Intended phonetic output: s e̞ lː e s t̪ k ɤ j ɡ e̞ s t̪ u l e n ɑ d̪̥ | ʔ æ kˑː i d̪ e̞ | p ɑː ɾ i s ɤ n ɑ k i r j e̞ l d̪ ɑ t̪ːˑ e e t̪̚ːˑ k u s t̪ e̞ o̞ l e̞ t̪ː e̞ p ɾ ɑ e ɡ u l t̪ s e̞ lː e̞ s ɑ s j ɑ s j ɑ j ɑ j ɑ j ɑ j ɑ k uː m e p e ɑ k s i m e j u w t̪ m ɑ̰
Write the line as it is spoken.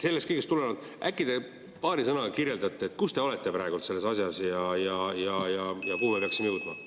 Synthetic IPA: s e̞ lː e s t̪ k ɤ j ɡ e̞ s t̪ u l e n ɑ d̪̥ | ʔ æ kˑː i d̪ e̞ | p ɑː ɾ i s ɤ n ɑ k i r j e̞ l d̪ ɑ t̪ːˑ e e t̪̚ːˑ k u s t̪ e̞ o̞ l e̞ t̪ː e̞ p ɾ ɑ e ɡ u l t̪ s e̞ lː e̞ s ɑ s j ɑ s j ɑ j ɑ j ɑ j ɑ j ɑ k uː m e p e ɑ k s i m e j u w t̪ m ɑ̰